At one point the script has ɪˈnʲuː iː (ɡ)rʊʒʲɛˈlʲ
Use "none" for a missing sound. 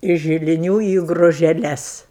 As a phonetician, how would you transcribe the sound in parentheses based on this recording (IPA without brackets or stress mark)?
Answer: ɡ